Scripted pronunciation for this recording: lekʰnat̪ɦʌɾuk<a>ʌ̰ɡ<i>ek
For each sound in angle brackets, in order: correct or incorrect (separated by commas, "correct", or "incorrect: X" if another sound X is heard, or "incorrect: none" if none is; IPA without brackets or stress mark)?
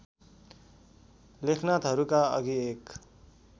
correct, correct